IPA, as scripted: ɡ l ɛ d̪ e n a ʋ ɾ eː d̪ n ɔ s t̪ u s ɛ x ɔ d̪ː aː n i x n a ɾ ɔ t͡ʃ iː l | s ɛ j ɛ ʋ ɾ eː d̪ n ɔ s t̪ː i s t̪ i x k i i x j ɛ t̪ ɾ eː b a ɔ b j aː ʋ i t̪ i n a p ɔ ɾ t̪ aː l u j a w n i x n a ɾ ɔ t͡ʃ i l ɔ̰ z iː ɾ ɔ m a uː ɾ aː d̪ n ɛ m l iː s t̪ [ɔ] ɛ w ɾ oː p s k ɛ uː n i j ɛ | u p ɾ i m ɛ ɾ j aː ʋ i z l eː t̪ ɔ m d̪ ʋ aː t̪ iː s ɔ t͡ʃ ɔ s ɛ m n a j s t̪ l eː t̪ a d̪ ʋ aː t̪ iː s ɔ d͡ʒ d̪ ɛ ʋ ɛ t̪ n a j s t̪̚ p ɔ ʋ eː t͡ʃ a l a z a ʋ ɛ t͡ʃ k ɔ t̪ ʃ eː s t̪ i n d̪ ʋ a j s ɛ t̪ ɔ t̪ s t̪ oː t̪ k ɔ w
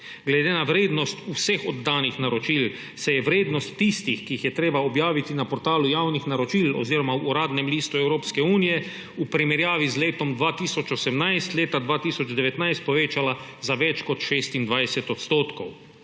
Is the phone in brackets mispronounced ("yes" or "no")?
yes